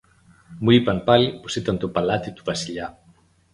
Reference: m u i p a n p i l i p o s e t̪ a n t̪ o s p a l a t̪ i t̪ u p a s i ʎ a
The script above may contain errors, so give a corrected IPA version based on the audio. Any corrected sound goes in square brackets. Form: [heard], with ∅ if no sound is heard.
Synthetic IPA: m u i p a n p [a] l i p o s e t̪ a n t̪ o [∅] p a l a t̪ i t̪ u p a s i ʎ a